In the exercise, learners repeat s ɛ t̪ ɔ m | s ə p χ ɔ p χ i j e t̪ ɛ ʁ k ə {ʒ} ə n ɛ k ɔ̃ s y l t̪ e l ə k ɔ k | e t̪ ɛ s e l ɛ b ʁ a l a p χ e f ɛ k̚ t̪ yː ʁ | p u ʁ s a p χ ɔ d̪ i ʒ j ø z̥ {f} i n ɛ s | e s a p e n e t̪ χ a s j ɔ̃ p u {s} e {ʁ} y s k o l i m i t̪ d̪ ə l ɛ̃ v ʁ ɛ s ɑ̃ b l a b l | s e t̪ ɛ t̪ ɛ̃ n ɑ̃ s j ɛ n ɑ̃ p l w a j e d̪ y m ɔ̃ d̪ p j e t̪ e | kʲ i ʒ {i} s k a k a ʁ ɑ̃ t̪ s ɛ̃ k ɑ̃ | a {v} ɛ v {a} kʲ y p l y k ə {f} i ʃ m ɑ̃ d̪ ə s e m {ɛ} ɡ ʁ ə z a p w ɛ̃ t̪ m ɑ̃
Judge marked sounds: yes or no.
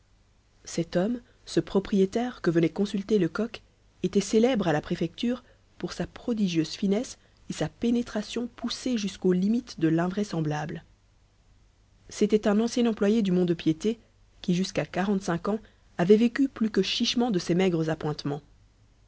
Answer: no, yes, yes, no, no, yes, no, no, yes

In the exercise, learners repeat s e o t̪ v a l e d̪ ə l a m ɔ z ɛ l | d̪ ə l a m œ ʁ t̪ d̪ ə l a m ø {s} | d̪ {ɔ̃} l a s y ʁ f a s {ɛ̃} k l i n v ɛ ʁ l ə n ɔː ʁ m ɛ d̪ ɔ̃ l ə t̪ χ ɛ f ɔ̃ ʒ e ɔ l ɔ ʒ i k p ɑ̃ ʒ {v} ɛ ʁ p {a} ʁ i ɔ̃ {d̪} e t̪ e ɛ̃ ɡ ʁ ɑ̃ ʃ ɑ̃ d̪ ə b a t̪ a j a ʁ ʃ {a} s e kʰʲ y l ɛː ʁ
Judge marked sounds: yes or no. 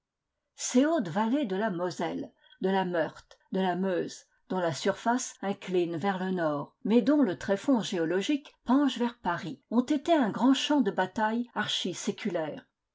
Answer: no, yes, yes, yes, yes, no, no

